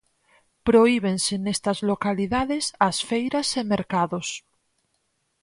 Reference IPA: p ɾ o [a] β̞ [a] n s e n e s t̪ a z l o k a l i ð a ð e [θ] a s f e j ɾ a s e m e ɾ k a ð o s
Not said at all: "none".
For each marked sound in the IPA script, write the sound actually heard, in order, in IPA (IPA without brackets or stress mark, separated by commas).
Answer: i, e, s